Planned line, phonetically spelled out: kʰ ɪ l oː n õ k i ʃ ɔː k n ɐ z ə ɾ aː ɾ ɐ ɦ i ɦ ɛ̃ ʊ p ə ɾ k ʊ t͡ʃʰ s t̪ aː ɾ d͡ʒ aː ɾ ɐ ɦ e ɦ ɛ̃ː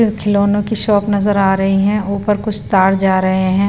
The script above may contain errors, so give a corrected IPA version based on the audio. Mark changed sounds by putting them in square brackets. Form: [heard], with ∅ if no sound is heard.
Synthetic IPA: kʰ ɪ l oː n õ k i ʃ ɔː [p] n ɐ z ə ɾ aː ɾ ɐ ɦ i ɦ ɛ̃ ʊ p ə ɾ k ʊ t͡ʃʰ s t̪ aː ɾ d͡ʒ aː ɾ ɐ ɦ e ɦ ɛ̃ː